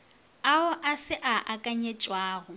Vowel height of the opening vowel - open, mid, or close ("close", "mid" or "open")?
open